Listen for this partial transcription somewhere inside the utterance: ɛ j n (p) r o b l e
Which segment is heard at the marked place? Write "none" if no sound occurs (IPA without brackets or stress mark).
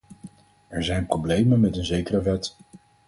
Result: p